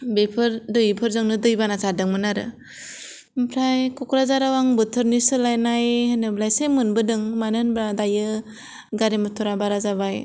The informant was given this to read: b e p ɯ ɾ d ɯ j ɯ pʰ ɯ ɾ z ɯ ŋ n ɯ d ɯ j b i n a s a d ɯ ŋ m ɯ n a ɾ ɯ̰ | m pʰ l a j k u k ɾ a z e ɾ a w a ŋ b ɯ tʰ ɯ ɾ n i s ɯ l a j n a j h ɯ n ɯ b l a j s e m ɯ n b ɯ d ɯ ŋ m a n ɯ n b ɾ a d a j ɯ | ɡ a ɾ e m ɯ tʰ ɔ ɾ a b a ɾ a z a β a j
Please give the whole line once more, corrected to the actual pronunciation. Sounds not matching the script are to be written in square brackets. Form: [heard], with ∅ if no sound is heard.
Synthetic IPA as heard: b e [pʰ] ɯ ɾ d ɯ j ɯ pʰ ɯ ɾ z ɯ ŋ n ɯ d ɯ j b [a] n a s a d ɯ ŋ m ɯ n a ɾ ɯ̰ | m pʰ [ɾ] a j k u k ɾ a z [a] ɾ a w a ŋ b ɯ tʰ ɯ ɾ n i s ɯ l a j n a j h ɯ n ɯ b l a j s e m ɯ n b ɯ d ɯ ŋ m a n ɯ n b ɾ a d a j ɯ | ɡ a ɾ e m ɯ tʰ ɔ ɾ a b a ɾ a z a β a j